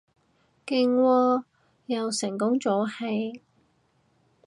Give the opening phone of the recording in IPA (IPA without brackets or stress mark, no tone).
k